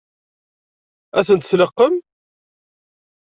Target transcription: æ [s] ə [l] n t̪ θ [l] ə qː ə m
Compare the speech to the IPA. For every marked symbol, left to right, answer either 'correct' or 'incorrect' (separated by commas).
incorrect, incorrect, correct